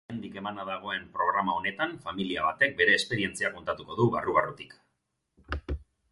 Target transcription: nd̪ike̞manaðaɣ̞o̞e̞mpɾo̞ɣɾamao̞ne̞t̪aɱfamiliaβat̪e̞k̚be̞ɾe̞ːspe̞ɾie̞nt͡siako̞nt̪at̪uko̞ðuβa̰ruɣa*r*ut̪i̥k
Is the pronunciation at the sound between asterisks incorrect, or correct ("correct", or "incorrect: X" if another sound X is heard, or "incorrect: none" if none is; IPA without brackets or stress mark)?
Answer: correct